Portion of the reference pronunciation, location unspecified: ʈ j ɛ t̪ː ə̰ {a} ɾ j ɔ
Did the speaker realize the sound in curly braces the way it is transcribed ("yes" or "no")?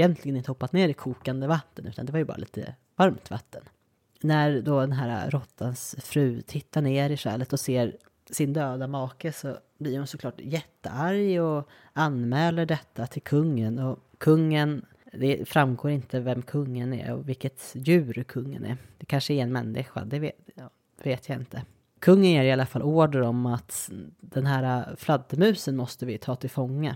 yes